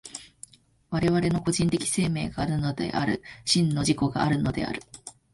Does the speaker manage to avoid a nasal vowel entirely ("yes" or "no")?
no